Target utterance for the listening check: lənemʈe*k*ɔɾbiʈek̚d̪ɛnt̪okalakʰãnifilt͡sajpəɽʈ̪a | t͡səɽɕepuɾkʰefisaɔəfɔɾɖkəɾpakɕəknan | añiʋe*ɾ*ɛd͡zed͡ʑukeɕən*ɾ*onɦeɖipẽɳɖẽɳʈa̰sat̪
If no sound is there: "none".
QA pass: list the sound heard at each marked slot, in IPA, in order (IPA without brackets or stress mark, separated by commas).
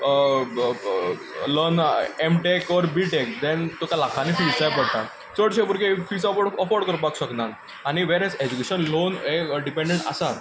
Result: k, ɾ, l